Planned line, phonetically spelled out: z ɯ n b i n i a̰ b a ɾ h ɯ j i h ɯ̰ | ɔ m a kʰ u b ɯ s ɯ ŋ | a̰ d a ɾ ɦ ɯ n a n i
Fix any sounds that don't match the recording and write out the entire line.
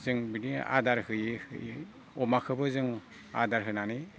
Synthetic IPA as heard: z ɯ ŋ b i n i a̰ d a ɾ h ɯ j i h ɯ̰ | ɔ m a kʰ ɯ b ɯ z ɯ ŋ | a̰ d a ɾ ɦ ɯ n a n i